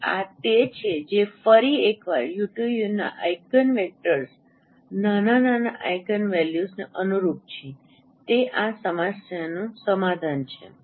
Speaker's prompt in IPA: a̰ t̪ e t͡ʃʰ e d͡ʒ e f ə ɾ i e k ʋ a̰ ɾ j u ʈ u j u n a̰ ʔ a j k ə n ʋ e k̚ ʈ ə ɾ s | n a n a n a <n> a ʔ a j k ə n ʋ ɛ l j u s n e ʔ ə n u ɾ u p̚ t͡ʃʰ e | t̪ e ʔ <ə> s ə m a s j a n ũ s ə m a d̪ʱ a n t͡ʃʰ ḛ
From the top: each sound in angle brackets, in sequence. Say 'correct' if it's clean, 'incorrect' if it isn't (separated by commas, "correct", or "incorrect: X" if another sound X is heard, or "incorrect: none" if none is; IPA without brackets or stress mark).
correct, incorrect: a